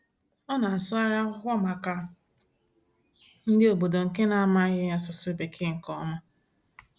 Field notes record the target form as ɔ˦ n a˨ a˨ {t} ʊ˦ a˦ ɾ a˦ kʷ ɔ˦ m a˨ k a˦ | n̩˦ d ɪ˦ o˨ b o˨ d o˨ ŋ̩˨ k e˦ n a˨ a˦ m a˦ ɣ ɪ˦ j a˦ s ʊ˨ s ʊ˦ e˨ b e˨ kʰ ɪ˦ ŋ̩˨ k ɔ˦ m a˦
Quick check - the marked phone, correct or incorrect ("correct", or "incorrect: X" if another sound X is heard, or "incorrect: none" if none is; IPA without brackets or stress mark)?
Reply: incorrect: s